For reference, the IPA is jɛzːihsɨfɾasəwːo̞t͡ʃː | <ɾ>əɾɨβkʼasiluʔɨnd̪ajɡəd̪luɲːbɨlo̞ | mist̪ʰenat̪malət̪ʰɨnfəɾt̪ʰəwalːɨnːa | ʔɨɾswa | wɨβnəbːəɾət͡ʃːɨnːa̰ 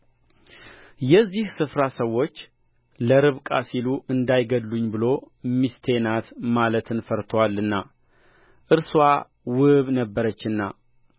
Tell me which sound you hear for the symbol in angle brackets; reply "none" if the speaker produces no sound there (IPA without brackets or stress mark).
l